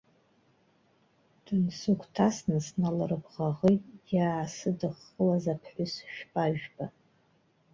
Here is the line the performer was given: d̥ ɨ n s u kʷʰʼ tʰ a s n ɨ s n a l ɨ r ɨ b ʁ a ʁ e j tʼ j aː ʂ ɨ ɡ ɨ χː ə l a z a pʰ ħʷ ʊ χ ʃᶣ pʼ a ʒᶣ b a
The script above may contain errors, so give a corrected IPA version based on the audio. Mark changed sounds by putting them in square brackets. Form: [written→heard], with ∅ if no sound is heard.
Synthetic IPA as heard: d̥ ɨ n s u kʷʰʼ tʰ a s n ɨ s n a l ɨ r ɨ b ʁ a ʁ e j tʼ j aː [ʂ→s] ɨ [ɡ→d] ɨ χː ə l a z a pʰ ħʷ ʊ [χ→s] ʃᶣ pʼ a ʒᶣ b a